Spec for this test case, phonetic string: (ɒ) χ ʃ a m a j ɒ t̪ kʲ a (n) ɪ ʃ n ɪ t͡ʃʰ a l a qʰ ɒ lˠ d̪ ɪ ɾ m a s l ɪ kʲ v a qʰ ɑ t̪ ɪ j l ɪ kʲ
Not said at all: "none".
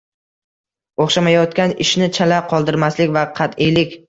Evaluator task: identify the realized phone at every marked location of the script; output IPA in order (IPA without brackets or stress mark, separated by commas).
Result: o, n